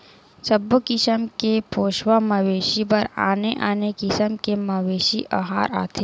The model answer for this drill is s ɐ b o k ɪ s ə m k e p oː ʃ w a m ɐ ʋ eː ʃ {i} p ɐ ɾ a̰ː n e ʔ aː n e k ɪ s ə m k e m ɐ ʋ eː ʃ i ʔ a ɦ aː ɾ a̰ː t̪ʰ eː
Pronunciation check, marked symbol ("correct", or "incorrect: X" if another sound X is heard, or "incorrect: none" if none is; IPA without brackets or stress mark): correct